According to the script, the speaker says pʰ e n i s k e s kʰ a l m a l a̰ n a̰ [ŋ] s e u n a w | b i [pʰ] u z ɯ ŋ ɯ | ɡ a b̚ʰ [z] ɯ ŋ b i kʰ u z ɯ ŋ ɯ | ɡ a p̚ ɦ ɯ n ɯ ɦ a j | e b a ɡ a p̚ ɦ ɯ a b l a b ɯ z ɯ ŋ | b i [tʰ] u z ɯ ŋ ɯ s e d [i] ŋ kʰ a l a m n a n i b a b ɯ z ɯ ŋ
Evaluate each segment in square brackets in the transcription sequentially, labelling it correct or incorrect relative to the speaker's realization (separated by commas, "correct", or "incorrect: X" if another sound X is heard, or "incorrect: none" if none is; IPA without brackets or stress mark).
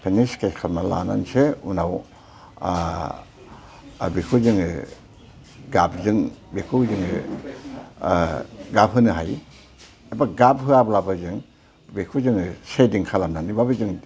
incorrect: n, incorrect: kʰ, correct, incorrect: kʰ, correct